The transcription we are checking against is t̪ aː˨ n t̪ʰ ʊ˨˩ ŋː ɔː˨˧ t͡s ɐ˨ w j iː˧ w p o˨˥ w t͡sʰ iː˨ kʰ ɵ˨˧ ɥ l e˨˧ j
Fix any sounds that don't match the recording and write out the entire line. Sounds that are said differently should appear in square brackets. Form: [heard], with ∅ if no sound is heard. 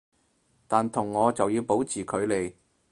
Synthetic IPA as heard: t̪ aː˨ n t̪ʰ ʊ˨˩ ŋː ɔː˨˧ t͡s ɐ˨ w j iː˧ w p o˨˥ w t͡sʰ iː˨ kʰ ɵ˨˧ ɥ l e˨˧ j